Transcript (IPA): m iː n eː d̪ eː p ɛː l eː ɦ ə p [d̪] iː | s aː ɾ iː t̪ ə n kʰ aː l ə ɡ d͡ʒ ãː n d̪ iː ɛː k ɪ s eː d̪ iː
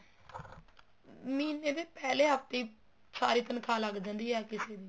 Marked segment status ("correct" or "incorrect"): incorrect